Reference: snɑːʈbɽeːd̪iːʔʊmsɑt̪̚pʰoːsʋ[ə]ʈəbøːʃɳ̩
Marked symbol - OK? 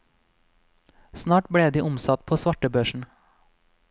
no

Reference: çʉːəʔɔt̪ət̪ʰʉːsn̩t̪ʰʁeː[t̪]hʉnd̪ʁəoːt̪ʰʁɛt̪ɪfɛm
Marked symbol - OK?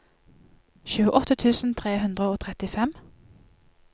no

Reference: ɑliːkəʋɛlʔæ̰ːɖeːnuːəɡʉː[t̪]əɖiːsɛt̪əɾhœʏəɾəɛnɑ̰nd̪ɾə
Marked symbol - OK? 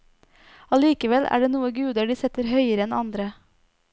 no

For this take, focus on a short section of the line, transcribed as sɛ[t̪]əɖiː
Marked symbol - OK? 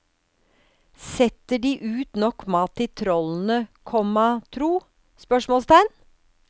yes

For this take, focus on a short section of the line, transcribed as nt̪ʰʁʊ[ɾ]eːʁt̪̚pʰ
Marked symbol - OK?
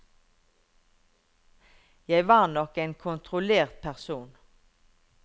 no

